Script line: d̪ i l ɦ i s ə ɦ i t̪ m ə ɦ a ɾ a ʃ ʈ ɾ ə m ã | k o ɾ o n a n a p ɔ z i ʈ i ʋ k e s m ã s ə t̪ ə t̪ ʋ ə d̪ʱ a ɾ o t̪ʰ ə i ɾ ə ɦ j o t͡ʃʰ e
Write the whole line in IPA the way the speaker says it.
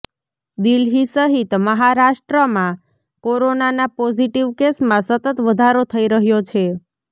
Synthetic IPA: d̪ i l ɦ i s ə ɦ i t̪ m ə ɦ a ɾ a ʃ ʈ ɾ ə m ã | k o ɾ o n a n a p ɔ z i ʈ i ʋ k e s m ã s ə t̪ ə t̪ ʋ ə d̪ʱ a ɾ o t̪ʰ ə i ɾ ə ɦ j o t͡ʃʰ e